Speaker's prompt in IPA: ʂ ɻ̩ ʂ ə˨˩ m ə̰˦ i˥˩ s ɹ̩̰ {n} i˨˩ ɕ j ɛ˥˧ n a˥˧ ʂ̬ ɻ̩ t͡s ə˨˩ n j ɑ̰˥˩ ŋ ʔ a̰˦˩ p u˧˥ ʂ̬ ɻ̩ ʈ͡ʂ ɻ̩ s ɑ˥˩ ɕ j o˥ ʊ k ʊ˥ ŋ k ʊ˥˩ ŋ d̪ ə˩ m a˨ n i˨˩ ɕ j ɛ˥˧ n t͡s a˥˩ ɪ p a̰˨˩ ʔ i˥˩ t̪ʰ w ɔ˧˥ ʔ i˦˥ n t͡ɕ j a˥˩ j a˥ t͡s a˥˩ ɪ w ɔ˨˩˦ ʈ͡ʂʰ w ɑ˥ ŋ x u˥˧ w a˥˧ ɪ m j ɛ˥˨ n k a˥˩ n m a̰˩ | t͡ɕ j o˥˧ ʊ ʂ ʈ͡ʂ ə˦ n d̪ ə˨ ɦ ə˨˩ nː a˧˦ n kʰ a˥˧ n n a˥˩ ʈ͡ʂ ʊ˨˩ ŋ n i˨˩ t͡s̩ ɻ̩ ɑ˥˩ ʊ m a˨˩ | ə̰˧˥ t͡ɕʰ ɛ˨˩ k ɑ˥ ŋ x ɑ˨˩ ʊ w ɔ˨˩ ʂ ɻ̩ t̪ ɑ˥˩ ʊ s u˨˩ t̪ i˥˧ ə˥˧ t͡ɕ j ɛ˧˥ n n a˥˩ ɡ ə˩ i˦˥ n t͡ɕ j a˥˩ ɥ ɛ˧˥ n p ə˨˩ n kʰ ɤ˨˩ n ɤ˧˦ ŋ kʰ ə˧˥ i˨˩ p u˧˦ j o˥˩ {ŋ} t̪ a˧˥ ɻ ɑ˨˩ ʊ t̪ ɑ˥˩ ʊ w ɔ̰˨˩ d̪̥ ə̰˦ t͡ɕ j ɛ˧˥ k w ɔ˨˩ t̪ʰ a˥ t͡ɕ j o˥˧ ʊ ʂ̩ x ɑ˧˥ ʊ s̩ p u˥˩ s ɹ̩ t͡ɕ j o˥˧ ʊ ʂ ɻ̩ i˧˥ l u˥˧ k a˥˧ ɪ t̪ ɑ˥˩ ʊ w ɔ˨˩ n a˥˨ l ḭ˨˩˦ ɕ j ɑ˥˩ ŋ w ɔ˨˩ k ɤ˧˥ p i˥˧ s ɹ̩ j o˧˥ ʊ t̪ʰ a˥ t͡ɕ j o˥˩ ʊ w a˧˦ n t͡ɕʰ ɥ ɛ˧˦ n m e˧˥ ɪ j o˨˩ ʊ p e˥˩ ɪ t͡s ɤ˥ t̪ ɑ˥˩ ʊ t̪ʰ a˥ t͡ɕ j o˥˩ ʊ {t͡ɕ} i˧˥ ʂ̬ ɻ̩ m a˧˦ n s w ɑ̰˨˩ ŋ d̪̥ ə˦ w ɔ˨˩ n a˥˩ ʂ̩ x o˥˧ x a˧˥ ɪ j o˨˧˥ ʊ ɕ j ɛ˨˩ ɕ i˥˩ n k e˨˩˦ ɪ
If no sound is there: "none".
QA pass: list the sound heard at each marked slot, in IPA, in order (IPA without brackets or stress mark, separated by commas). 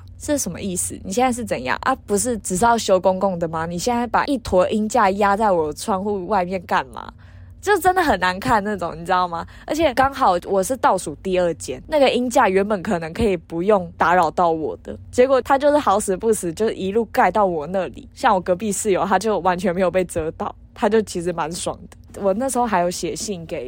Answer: n, ŋ, t͡ɕʰ